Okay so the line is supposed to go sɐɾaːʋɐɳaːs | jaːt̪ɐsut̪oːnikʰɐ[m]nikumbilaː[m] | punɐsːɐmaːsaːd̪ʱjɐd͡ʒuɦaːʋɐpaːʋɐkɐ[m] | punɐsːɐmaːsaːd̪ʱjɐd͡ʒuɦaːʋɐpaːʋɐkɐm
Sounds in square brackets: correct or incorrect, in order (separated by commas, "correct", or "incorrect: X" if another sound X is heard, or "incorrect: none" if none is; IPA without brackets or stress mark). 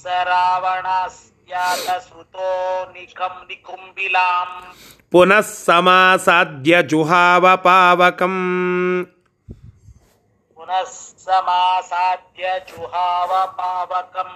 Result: correct, correct, correct